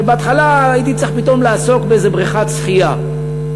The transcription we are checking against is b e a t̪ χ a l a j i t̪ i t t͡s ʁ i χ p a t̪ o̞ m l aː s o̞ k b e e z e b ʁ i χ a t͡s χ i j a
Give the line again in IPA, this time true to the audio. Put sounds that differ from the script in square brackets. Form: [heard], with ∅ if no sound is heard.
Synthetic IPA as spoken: b e a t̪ χ a l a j i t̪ i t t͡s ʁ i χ p [i] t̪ o̞ m l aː s o̞ k b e e z e b ʁ i χ a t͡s χ i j a